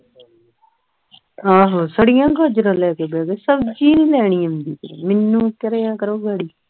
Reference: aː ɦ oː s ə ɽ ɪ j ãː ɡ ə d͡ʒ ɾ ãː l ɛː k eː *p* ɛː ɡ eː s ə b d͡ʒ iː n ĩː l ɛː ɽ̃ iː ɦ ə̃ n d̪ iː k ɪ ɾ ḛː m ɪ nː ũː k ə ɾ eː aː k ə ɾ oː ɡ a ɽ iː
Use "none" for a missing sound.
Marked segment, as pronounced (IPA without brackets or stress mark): b